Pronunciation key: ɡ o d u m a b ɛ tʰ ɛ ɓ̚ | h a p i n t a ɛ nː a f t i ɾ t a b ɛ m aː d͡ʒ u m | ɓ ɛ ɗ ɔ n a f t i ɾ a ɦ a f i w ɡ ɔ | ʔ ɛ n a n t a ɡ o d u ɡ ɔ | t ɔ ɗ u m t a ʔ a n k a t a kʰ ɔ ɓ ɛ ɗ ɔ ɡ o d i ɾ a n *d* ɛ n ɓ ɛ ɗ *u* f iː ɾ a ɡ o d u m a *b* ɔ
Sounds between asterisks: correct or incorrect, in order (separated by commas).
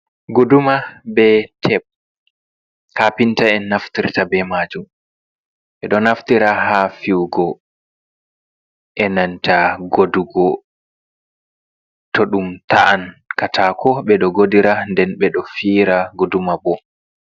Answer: correct, incorrect, correct